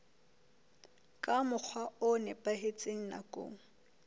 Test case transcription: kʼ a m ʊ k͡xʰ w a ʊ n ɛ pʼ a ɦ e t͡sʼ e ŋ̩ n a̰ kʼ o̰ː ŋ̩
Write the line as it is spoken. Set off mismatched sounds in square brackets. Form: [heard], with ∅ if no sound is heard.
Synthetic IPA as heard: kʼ a m ʊ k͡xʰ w a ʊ n ɛ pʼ a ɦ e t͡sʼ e ŋ̩ n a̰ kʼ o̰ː ŋ̩